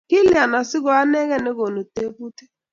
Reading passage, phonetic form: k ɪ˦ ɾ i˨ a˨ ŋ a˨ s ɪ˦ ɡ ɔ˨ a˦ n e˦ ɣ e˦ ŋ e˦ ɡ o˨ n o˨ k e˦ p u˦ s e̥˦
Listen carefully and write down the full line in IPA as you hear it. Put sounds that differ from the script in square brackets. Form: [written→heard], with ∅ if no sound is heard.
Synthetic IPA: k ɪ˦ [ɾ→l] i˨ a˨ [ŋ→n] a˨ s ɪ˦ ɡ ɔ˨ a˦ n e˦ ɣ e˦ [ŋ→n] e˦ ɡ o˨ n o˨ [k→t] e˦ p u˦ [s→t] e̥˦